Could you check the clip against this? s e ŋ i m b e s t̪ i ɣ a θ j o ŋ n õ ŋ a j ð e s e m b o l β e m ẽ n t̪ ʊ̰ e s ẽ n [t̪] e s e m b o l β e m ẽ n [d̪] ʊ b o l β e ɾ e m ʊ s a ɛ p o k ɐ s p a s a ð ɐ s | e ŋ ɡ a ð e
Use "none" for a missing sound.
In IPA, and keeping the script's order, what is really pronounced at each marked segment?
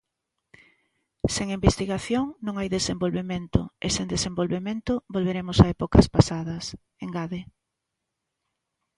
d̪, t̪

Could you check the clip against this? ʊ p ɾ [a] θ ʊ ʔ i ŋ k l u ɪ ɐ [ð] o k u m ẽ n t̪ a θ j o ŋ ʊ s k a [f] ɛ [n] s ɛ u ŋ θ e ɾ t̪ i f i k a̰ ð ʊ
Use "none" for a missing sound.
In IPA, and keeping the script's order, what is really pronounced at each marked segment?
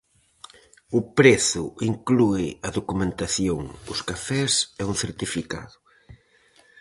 e, ð, f, none

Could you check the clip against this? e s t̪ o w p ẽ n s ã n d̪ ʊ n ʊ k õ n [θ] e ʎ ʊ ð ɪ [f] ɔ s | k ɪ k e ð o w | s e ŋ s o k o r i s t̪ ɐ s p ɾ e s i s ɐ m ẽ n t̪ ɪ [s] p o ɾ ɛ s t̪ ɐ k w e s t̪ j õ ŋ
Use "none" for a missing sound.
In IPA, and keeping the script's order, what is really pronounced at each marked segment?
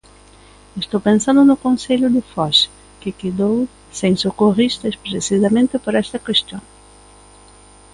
s, f, none

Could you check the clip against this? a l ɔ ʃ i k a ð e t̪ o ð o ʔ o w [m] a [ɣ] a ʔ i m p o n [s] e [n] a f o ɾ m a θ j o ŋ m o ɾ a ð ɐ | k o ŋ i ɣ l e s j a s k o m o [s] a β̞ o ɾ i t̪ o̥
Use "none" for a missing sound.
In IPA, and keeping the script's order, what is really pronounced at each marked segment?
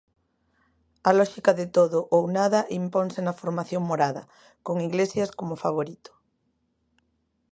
n, ð, s, n, f

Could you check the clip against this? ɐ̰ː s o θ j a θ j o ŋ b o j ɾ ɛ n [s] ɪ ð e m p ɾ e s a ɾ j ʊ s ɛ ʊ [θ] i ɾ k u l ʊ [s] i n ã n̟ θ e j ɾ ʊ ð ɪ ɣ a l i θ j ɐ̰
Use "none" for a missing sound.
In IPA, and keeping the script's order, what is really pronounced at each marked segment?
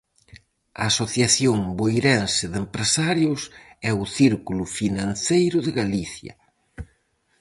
s, θ, f

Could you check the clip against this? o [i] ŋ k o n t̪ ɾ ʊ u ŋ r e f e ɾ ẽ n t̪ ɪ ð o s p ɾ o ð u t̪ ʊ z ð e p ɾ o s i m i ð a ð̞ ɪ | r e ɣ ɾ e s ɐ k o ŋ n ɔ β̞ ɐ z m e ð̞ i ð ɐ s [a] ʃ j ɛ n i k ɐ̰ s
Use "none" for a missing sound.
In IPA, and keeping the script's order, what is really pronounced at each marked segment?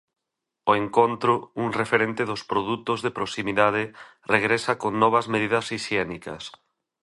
e, i

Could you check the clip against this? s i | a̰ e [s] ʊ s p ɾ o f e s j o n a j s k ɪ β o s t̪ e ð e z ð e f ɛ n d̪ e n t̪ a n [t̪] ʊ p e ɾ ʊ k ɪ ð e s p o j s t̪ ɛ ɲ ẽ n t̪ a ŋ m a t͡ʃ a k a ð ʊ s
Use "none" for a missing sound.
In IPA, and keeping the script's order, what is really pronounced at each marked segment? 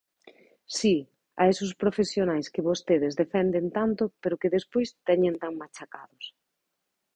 s, t̪

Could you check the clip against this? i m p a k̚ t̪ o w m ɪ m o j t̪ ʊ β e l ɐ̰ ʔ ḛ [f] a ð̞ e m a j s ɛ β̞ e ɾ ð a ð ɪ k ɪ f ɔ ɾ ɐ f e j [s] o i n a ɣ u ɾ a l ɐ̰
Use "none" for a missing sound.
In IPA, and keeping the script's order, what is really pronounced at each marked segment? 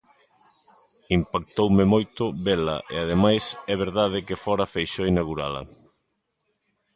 none, ʃ

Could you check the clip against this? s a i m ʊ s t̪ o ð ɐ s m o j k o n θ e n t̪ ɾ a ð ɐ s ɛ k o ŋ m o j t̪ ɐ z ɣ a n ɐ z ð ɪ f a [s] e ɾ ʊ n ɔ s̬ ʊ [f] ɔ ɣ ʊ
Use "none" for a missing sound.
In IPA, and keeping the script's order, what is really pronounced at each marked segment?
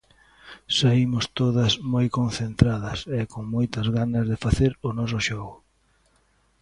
θ, ʃ

